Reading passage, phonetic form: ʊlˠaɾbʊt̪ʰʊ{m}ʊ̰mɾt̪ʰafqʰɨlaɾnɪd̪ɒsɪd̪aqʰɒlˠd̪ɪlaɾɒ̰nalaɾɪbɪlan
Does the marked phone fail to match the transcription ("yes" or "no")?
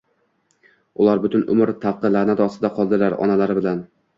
yes